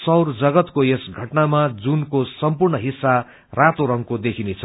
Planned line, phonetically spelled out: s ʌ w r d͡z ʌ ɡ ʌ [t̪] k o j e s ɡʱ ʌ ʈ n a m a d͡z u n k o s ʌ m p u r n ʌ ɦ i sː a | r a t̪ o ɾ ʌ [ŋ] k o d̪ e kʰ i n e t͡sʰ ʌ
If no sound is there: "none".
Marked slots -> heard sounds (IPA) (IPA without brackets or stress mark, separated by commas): t̪, ŋ